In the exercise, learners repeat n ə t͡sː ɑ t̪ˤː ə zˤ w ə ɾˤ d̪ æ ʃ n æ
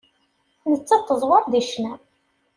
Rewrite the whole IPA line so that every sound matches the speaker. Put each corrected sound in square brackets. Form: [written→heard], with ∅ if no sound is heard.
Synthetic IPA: n ə t͡sː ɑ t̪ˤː ə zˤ w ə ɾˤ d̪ [æ→i] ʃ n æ